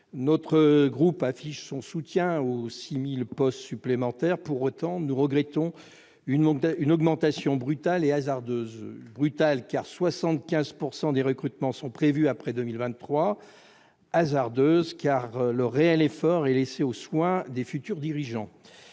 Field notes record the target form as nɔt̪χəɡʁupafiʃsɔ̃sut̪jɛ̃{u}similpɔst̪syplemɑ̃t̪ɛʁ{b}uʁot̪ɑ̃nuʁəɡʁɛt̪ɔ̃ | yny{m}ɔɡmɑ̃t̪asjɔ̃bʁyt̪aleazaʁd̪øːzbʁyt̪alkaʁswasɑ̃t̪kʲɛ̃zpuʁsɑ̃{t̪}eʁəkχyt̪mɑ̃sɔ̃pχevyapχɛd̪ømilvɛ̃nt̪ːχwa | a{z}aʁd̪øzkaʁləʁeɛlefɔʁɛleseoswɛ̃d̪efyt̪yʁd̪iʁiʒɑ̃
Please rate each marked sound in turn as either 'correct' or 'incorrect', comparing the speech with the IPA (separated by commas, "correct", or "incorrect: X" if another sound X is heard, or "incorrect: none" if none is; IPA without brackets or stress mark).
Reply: incorrect: o, incorrect: p, incorrect: n, incorrect: d̪, correct